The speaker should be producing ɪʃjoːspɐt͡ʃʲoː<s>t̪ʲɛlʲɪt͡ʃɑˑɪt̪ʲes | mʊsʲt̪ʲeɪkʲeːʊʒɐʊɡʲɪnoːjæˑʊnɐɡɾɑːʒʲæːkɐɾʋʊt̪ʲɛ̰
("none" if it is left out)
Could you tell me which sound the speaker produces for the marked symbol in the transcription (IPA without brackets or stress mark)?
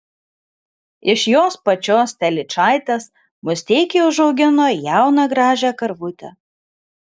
s